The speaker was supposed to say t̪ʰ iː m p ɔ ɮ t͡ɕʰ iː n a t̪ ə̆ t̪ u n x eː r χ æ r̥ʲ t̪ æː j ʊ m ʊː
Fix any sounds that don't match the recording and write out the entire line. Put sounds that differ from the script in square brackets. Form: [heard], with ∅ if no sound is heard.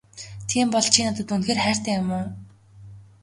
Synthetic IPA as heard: t̪ʰ iː m p ɔ ɮ t͡ɕʰ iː n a t̪ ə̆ t̪ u n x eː r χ [æː] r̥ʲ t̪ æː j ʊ m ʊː

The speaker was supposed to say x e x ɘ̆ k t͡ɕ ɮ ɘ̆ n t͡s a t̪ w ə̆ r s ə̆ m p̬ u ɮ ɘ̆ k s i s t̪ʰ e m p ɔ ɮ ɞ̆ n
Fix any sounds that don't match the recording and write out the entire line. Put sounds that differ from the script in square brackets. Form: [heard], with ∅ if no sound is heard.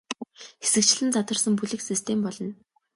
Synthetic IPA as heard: x e [s] ɘ̆ k t͡ɕ ɮ ɘ̆ n t͡s a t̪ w ə̆ r s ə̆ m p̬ u ɮ ɘ̆ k s i s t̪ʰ e m p ɔ ɮ ɞ̆ n

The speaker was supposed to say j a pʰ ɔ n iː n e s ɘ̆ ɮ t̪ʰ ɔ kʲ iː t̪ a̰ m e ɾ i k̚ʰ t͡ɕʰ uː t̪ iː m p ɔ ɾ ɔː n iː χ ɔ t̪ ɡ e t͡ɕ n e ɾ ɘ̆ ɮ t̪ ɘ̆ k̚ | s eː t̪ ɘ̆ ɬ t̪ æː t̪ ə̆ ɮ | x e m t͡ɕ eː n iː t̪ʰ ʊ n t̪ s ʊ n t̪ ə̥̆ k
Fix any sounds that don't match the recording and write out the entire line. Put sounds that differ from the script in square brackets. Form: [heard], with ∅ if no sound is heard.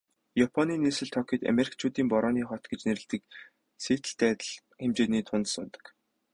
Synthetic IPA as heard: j a pʰ ɔ n iː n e s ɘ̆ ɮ t̪ʰ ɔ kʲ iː t̪ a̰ m e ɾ i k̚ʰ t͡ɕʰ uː t̪ iː m p ɔ ɾ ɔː n iː χ ɔ t̪ ɡ e t͡ɕ n e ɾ ɘ̆ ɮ t̪ ɘ̆ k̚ | s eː t̪ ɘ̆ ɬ t̪ æː t̪ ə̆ ɮ | x e m t͡ɕ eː n iː t̪ʰ ʊ n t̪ s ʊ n t̪ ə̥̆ k

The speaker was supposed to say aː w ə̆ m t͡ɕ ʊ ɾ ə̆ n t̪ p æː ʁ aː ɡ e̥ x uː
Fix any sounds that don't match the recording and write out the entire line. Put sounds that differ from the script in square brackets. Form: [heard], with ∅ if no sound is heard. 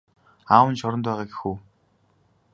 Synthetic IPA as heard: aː w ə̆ [n] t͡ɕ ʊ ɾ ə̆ n t̪ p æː ʁ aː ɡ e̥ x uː

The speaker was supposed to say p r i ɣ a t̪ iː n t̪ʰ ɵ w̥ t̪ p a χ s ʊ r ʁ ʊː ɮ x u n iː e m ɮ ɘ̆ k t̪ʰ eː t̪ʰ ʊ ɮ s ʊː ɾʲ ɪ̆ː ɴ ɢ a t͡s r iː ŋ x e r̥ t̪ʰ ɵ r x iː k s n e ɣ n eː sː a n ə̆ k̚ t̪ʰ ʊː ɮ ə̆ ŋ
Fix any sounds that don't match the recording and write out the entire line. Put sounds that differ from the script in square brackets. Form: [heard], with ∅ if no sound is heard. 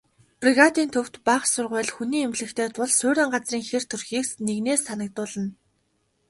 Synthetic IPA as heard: p r i ɣ a t̪ iː n t̪ʰ ɵ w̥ t̪ p a χ s ʊ r ʁ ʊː ɮ x u n iː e m ɮ ɘ̆ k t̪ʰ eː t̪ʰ ʊ ɮ s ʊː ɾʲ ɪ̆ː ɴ ɢ a t͡s r iː ŋ x e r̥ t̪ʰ ɵ r x iː k s n e ɣ n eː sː a n ə̆ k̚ [t̪] ʊː ɮ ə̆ [n]

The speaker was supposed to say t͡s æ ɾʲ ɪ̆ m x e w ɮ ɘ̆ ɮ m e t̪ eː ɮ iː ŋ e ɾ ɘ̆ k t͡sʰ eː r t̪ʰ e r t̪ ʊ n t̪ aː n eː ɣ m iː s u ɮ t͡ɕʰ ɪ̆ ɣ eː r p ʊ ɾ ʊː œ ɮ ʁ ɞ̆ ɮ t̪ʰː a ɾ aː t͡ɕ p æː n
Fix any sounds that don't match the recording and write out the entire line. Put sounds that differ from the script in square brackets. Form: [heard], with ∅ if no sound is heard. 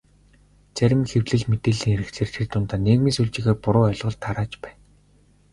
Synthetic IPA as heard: t͡s æ ɾʲ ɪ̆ m x e w ɮ ɘ̆ ɮ m e t̪ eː ɮ iː ŋ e ɾ ɘ̆ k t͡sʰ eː r t̪ʰ e r t̪ ʊ n t̪ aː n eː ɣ m iː s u ɮ [t͡ɕ] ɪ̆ ɣ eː r p ʊ ɾ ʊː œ ɮ ʁ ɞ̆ ɮ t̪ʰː a ɾ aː t͡ɕ p æː n

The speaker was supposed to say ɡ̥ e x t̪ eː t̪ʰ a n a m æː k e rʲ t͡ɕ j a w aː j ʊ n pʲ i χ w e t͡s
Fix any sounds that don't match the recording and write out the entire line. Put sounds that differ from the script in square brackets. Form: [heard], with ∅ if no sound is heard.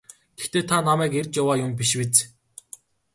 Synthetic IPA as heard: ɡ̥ e x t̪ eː t̪ʰ a n a m æː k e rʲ t͡ɕ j a w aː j ʊ [m] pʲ i [ʃ] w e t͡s

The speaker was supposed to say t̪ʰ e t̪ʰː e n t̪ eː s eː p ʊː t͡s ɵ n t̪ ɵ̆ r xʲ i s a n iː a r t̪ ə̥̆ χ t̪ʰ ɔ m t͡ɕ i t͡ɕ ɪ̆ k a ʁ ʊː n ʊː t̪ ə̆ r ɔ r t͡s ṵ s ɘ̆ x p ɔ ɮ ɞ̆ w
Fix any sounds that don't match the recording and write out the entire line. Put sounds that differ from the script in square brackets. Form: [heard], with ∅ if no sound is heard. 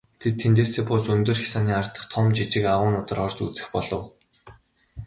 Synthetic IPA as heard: t̪ʰ e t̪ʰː e n t̪ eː s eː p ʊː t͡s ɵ n t̪ ɵ̆ r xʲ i s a n iː a r t̪ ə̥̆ χ t̪ʰ ɔ m t͡ɕ i t͡ɕ ɪ̆ k a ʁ ʊː n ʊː t̪ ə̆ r ɔ r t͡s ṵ [t͡s] ɘ̆ x p ɔ ɮ ɞ̆ w

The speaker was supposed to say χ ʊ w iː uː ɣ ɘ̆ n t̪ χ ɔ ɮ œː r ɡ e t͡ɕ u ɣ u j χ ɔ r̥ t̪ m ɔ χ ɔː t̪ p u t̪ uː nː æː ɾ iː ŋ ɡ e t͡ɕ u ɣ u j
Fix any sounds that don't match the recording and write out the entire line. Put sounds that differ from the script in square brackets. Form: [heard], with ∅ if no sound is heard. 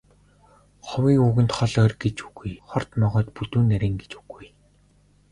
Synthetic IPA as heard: χ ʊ w iː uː ɣ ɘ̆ n t̪ χ ɔ ɮ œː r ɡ e t͡ɕ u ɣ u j χ ɔ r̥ t̪ m ɔ [ʁ] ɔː t̪ p u t̪ uː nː [æ] ɾ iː ŋ ɡ e t͡ɕ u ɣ u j

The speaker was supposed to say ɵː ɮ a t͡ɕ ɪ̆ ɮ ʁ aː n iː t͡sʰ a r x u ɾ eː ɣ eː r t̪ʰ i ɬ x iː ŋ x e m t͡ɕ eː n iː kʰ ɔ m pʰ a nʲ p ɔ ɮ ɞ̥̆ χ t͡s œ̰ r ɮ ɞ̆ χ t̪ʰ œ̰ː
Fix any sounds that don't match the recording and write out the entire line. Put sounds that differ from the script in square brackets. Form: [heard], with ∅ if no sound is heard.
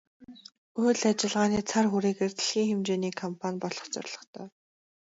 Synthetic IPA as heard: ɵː ɮ a t͡ɕ ɪ̆ ɮ ʁ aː n iː t͡sʰ a r x u ɾ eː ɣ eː r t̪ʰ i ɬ x iː ŋ x e m t͡ɕ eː n iː kʰ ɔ m pʰ a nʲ p ɔ ɮ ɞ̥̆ χ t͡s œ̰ r ɮ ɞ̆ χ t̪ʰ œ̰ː

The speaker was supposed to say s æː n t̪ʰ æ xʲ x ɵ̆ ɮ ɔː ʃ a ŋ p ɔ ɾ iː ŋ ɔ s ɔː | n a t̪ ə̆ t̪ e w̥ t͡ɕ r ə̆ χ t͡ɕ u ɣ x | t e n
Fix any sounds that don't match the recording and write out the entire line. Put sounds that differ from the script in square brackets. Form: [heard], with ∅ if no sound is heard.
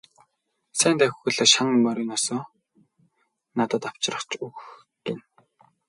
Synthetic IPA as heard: s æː n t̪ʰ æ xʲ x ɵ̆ ɮ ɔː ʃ a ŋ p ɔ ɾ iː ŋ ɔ s ɔː | n a t̪ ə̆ t̪ [a] w̥ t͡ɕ r ə̆ χ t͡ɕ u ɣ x | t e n

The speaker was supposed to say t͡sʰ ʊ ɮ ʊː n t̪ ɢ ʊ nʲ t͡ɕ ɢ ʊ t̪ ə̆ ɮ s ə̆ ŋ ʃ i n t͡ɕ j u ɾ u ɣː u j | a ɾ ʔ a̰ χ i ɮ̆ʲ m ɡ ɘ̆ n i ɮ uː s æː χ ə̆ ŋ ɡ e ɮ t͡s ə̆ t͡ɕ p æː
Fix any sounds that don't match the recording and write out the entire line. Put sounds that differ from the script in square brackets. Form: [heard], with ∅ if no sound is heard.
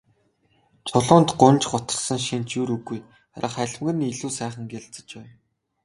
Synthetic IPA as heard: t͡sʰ ʊ ɮ ʊː n t̪ ɢ ʊ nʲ t͡ɕ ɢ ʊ t̪ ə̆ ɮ s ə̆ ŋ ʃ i n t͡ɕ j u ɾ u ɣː u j | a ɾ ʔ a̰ χ [æ] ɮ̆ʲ m ɡ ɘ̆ n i ɮ uː s æː χ ə̆ ŋ ɡ e ɮ t͡s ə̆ t͡ɕ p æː

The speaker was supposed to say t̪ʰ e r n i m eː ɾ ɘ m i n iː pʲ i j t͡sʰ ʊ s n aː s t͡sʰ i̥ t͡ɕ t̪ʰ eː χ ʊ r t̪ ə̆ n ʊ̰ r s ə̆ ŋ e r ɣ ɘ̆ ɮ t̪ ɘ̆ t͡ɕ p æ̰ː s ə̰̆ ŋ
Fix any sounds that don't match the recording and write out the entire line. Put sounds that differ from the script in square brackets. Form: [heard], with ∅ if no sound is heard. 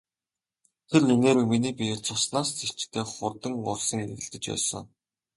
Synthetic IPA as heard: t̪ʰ e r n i [n] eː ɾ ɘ m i n iː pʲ i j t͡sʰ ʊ s n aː s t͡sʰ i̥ t͡ɕ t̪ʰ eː χ ʊ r t̪ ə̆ [ŋ] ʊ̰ r s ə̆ ŋ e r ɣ ɘ̆ ɮ t̪ ɘ̆ t͡ɕ p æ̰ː s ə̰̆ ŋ

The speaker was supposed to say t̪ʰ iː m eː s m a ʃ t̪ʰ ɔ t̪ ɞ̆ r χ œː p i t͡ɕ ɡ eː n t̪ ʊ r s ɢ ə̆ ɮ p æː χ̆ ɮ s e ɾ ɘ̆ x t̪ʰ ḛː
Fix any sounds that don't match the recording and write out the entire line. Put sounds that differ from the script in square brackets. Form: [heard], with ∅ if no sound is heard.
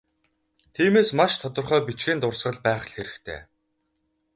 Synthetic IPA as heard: t̪ʰ iː m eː s m a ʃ t̪ʰ ɔ t̪ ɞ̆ r χ œː p i t͡ɕ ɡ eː n t̪ ʊ r s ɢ ə̆ ɮ p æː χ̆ ɮ [x] e ɾ ɘ̆ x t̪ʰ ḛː

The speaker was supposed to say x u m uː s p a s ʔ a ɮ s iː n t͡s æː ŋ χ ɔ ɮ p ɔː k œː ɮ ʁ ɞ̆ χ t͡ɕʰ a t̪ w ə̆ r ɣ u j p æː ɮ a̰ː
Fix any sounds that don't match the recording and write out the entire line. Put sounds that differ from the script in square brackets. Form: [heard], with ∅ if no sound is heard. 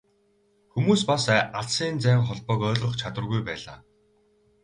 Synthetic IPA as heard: x u m uː s p a s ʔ a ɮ s iː n t͡s æː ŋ χ ɔ ɮ p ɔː k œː ɮ ʁ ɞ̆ χ t͡ɕʰ a t̪ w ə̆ r ɣ u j p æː ɮ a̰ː

